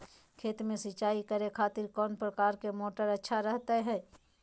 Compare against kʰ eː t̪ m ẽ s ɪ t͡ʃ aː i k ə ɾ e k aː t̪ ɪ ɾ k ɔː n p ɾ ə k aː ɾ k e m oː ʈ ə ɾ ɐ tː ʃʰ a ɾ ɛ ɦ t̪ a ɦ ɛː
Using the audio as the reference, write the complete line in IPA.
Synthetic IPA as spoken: kʰ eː t̪ m ẽ s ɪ t͡ʃ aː i k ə ɾ e kʰ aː t̪ ɪ ɾ k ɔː n p ɾ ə k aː ɾ k e m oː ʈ ə ɾ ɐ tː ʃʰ a ɾ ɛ ɦ t̪ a ɦ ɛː